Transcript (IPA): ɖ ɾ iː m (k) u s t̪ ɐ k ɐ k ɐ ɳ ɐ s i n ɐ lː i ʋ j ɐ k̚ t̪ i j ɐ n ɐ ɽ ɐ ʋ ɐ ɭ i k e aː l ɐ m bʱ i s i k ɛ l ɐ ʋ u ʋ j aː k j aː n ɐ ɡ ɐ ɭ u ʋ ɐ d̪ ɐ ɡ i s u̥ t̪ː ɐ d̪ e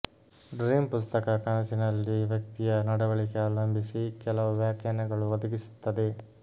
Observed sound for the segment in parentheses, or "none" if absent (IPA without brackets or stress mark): p